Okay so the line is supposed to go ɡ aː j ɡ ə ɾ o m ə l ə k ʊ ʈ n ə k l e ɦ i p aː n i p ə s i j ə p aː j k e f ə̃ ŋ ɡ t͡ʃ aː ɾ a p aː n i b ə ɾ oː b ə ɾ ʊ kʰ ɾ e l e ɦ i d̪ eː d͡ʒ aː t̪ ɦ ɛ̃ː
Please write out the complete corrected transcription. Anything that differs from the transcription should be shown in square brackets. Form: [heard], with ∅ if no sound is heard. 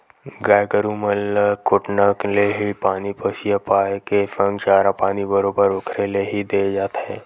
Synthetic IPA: ɡ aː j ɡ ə ɾ [u] m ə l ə k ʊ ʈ n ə k l e ɦ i p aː n i p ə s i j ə p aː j k e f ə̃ ŋ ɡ t͡ʃ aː ɾ a p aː n i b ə ɾ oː b ə ɾ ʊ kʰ ɾ e l e ɦ i d̪ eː d͡ʒ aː t̪ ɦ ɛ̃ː